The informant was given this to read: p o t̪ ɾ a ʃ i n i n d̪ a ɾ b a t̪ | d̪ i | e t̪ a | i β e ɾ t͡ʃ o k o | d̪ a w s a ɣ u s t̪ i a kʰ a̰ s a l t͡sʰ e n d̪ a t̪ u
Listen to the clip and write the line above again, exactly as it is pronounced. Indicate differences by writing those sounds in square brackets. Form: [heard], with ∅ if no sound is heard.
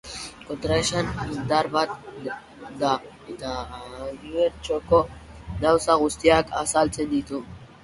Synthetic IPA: [k] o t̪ ɾ a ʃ [a] n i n d̪ a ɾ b a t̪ | d̪ [a] | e t̪ a | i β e ɾ t͡ʃ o k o | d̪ a w s a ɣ u s t̪ i a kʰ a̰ s a l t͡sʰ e n d̪ [i] t̪ u